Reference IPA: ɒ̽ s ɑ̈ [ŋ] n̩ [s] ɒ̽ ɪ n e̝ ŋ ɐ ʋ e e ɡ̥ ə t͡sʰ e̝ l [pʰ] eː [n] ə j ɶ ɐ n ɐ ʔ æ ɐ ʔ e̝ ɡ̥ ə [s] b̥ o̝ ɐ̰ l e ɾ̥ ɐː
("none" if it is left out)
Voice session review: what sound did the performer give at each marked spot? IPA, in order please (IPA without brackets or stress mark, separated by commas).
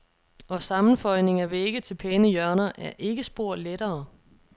m, f, pʰ, n, s